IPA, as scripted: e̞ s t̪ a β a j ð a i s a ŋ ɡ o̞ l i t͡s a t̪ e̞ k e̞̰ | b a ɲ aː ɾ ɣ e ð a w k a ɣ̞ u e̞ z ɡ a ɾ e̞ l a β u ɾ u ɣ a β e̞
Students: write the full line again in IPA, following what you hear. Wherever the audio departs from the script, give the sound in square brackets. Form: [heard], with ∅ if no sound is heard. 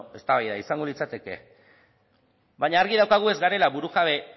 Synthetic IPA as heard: e̞ s t̪ a β a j ð a i s a ŋ ɡ o̞ l i t͡s a t̪ e̞ k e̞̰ | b a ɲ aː ɾ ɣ [i] ð a w k a ɣ̞ u e̞ z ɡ a ɾ e̞ l a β u ɾ u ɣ a β e̞